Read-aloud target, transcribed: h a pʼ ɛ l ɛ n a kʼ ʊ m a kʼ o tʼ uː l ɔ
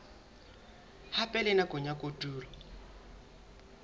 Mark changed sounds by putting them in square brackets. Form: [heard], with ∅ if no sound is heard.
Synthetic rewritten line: h a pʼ ɛ l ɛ n a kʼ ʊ [ɲ] a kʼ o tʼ uː l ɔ